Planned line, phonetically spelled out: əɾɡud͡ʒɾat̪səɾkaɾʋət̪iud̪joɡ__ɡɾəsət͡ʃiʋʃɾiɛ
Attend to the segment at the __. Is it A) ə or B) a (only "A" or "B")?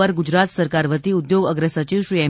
A